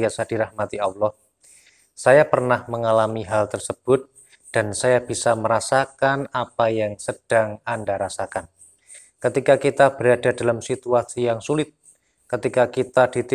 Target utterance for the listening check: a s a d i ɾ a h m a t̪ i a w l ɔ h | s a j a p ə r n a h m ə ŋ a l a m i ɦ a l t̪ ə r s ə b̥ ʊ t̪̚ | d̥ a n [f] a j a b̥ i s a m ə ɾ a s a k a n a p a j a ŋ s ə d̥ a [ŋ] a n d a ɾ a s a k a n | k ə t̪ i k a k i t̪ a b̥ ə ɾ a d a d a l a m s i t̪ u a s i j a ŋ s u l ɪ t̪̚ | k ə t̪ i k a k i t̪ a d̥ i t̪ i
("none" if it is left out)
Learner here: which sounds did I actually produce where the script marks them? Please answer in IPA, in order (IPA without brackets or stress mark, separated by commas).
s, ŋ